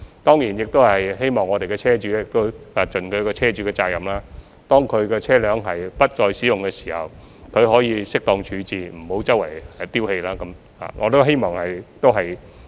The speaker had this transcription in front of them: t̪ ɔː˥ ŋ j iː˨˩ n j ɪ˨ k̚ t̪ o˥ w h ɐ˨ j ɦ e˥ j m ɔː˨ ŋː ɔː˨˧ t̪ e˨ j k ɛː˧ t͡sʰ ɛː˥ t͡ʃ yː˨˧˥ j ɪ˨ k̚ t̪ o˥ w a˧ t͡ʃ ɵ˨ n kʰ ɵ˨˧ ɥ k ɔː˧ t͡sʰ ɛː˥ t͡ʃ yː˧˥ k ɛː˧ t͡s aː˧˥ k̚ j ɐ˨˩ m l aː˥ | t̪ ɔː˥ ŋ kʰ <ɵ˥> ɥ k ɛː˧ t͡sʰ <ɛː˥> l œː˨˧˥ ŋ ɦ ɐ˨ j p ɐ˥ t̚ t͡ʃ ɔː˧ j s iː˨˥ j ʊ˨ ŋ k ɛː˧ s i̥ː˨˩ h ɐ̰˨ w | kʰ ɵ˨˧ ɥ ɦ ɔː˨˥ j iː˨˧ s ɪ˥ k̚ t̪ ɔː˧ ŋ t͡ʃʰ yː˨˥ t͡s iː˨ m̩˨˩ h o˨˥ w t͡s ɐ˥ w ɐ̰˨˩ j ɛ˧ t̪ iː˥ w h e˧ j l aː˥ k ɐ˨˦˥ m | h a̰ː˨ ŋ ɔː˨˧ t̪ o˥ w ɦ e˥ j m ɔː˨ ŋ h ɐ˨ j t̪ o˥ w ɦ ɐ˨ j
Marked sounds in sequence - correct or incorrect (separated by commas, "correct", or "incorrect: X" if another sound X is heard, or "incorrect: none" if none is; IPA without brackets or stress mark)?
incorrect: ɵ˨˧, correct